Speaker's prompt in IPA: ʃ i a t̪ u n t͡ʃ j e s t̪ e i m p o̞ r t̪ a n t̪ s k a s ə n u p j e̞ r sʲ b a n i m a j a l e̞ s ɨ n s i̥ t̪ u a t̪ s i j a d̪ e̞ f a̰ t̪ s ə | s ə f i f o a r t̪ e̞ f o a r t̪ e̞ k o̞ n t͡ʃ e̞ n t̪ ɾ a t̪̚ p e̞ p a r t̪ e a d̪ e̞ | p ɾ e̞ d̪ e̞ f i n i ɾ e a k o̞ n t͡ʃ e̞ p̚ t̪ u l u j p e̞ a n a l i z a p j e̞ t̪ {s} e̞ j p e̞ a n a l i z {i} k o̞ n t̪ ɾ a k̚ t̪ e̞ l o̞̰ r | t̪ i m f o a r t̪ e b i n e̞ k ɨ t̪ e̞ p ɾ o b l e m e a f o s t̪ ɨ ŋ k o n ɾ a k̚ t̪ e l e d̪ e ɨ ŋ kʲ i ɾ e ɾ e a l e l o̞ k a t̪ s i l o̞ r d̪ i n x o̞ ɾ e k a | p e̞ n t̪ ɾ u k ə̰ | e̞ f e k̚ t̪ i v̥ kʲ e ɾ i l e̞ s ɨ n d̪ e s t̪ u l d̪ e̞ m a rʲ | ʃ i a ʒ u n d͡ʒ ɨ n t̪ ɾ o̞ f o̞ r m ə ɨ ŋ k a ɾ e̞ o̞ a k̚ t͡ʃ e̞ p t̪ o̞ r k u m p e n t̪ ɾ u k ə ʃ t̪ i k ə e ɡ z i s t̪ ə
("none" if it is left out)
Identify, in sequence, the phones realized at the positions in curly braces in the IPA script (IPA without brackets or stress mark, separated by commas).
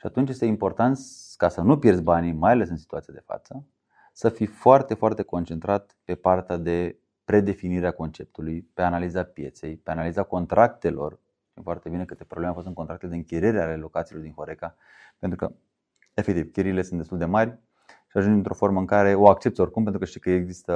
s, a